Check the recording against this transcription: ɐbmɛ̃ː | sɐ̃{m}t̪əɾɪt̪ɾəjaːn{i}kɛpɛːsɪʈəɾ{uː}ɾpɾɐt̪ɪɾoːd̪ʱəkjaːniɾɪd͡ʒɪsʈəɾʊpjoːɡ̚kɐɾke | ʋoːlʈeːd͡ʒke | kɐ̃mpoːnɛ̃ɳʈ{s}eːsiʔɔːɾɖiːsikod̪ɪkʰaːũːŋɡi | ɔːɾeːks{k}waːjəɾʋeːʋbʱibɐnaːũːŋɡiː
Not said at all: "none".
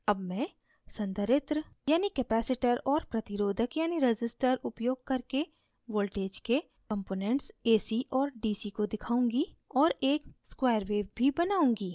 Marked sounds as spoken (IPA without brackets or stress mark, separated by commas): n, i, ɔː, s, k